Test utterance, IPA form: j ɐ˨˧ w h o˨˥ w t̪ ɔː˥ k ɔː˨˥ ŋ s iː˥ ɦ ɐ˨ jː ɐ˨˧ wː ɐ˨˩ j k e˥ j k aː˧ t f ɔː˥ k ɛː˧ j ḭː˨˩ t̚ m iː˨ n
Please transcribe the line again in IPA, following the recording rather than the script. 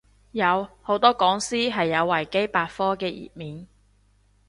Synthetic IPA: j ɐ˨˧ w h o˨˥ w t̪ ɔː˥ k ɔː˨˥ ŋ s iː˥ ɦ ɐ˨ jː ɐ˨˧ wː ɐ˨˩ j k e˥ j p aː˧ t f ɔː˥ k ɛː˧ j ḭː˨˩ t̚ m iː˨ n